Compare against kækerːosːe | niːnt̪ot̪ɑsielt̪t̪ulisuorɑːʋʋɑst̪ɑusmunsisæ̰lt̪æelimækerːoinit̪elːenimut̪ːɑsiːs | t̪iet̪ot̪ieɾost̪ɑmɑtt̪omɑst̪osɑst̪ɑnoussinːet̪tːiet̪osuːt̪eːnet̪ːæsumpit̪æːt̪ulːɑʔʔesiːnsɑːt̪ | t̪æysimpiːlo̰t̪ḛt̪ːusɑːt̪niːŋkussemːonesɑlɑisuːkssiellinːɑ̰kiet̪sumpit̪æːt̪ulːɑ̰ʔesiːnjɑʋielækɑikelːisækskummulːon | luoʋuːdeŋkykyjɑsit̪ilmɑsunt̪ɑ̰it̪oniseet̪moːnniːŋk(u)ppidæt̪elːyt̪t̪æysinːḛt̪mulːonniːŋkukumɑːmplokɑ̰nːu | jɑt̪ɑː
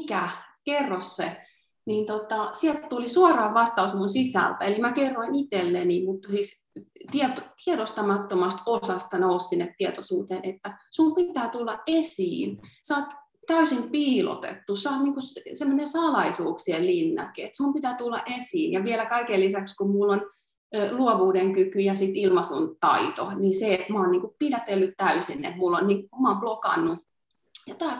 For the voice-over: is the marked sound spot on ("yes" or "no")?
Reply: yes